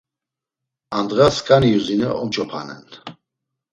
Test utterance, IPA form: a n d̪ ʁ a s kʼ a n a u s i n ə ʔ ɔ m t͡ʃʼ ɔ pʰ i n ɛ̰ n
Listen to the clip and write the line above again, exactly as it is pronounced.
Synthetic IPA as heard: a n d̪ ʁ a s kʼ a n i u z i n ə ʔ ɔ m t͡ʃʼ ɔ pʰ a n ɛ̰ n